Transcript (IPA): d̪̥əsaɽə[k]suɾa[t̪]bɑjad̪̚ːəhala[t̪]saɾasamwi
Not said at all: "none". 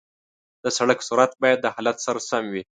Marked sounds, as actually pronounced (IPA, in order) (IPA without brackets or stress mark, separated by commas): k, t̪, t̪